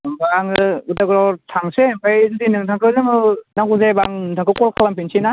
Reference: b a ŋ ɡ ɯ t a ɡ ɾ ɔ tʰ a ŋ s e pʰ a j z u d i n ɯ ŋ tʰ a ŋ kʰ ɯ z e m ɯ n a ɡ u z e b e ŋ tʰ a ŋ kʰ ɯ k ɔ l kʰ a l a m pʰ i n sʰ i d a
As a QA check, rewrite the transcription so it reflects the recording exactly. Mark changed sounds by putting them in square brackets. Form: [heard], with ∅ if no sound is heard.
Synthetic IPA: b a ŋ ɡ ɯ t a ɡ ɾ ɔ tʰ a ŋ s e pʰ a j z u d i n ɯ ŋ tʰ a ŋ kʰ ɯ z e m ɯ n a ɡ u z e b [a] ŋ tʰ a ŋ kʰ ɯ k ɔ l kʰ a l a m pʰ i n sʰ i [n] a